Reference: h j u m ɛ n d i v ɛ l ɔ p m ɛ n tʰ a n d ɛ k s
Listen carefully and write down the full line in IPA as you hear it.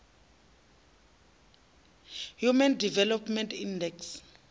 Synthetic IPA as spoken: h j u m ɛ n d i v ɛ l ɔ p m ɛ n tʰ i n d ɛ k s

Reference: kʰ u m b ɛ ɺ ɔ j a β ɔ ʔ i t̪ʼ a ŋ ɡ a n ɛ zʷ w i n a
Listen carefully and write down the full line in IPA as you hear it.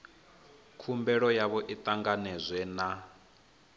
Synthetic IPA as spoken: kʰ u m b ɛ ɺ ɔ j a β ɔ ʔ i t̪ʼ a ŋ ɡ a n ɛ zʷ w ɛ n a

